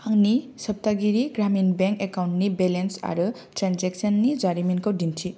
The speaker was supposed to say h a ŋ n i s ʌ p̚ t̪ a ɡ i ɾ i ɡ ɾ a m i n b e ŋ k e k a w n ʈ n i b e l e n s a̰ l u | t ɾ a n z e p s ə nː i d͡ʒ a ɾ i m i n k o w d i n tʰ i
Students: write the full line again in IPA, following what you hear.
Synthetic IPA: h a ŋ n i s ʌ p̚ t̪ a ɡ i ɾ i ɡ ɾ a m i n b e ŋ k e k a w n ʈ n i b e l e n s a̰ ɾ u | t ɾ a n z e k s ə nː i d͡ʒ a ɾ i m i n k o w d i n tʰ i